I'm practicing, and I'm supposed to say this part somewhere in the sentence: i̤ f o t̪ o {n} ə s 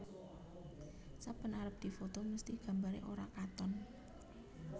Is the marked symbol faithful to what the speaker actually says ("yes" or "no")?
no